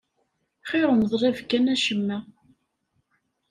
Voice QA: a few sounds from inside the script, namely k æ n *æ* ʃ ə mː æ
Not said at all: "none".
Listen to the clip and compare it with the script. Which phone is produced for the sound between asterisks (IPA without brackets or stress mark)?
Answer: æ